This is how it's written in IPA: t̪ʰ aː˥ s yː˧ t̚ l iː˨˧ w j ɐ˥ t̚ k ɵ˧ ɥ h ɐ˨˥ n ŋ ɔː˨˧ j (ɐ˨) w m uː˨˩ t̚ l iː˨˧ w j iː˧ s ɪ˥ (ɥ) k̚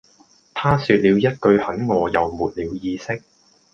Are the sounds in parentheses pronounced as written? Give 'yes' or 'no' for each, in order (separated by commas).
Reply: yes, no